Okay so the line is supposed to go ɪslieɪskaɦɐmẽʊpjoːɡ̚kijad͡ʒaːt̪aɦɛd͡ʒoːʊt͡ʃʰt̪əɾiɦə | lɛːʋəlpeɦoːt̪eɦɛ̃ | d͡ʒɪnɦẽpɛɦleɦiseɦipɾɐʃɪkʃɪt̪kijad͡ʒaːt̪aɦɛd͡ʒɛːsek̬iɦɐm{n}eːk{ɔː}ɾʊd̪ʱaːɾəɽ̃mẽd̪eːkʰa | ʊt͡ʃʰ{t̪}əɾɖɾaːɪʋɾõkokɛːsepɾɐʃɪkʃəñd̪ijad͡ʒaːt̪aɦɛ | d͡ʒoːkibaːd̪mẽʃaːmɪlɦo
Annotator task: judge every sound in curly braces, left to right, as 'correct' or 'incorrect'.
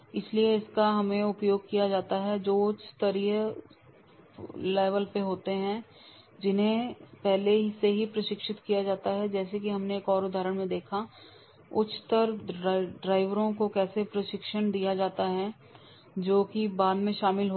correct, correct, correct

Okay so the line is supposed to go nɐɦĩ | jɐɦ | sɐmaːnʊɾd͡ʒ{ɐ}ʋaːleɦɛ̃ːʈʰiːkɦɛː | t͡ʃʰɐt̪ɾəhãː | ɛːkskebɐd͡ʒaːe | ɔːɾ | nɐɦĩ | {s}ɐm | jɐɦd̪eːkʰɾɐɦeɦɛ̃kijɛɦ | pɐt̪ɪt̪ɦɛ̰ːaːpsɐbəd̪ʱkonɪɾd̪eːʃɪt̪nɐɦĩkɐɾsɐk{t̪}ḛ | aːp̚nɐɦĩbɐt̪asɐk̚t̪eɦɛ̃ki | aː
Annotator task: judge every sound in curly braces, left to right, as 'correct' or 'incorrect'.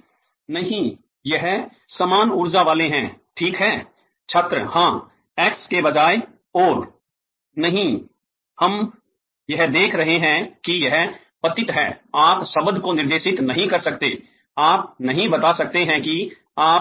incorrect, incorrect, correct

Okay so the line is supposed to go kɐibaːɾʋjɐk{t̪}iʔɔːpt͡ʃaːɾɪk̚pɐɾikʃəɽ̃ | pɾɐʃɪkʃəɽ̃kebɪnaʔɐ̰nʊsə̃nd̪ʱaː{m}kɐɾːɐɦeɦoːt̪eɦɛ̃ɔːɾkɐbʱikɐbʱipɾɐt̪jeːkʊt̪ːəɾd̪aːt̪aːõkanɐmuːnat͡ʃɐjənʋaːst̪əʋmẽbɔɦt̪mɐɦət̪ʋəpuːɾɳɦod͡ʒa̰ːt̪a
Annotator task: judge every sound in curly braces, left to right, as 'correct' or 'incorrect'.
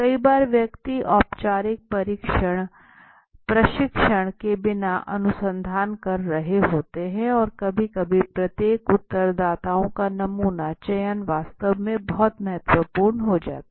correct, incorrect

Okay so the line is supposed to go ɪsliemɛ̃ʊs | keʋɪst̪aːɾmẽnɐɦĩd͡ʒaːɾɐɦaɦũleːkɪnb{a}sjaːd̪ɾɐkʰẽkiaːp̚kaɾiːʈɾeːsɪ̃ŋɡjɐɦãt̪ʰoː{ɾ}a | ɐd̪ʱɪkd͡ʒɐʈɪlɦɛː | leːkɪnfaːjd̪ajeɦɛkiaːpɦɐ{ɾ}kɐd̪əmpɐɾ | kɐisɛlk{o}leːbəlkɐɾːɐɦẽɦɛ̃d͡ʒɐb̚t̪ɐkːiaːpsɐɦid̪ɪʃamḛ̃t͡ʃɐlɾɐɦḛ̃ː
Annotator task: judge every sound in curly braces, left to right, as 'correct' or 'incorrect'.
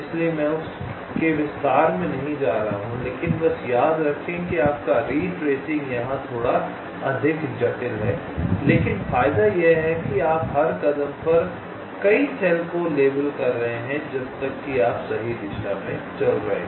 incorrect, incorrect, correct, correct

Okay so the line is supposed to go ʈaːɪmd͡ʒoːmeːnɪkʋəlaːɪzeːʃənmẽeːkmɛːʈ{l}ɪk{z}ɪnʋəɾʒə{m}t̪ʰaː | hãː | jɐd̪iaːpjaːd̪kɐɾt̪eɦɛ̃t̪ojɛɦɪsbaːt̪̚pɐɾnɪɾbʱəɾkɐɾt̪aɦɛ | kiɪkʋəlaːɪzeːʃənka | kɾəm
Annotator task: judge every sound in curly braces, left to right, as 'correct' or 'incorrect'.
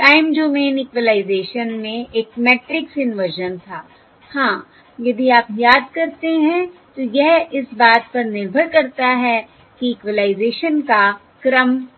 incorrect, incorrect, incorrect

